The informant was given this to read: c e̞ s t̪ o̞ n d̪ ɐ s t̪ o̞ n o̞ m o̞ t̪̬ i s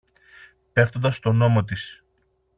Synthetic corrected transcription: p e̞ f t̪ o̞ n d̪ ɐ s t̪ o̞ n o̞ m o̞ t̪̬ i s

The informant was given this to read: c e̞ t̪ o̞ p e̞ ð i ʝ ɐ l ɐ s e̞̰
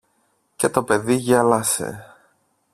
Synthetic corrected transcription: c e̞ t̪ o̞ p e̞ ð i ʝ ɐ l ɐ s e̞̰

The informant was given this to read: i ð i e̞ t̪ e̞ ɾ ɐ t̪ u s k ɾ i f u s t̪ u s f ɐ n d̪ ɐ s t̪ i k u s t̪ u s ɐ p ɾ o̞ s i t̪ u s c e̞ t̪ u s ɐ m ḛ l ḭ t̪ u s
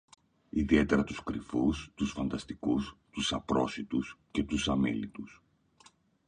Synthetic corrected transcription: i ð i e̞ t̪ e̞ ɾ ɐ t̪ u s k ɾ i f u s t̪ u s f ɐ n d̪ ɐ s t̪ i k u s t̪ u s ɐ p ɾ o̞ s i t̪ u s c e̞ t̪ u s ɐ m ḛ l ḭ t̪ u s

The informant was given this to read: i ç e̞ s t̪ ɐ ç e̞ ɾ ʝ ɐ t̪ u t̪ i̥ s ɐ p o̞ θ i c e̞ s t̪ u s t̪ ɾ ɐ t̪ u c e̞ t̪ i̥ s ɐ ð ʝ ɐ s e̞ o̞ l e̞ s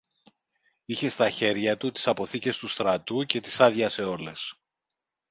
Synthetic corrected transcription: i ç e̞ s t̪ ɐ ç e̞ ɾ ʝ ɐ t̪ u t̪ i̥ s ɐ p o̞ θ i c e̞ s t̪ u s t̪ ɾ ɐ t̪ u c e̞ t̪ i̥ s ɐ ð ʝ ɐ s e̞ o̞ l e̞ s

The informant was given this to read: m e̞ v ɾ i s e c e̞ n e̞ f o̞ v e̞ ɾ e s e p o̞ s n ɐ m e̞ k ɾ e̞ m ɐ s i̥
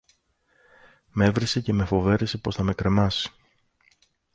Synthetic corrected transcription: m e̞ v ɾ i s e c e̞ m e̞ f o̞ v e̞ ɾ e s e p o̞ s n ɐ m e̞ k ɾ e̞ m ɐ s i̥

